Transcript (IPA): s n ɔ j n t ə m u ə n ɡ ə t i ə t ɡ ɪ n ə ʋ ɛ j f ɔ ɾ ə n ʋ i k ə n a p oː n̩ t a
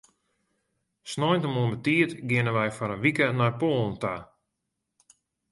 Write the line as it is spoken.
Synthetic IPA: s n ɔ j n t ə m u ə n b ə t i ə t ɡ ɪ n ə ʋ ɛ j f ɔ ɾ ə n ʋ i k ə n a p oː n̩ t a